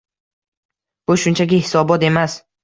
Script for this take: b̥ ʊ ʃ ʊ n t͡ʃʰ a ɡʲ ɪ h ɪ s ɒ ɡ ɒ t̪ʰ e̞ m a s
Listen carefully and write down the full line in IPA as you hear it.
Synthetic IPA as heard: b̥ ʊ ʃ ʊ n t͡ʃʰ a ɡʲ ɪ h ɪ s ɒ b ɒ t̪ e̞ m a s